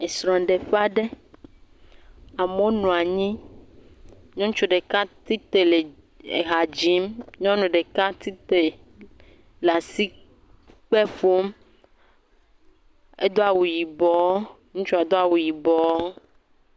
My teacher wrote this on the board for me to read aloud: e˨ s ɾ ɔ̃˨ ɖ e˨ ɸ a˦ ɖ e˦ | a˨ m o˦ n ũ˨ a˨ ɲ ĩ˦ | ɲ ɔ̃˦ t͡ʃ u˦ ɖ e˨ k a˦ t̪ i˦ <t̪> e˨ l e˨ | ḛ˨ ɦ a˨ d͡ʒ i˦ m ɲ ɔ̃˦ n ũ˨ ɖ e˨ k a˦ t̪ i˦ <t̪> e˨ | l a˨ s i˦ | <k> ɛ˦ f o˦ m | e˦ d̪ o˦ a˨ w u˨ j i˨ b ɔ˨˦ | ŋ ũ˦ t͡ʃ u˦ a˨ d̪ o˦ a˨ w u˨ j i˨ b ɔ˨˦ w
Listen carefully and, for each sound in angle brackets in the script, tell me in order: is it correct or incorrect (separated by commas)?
correct, correct, incorrect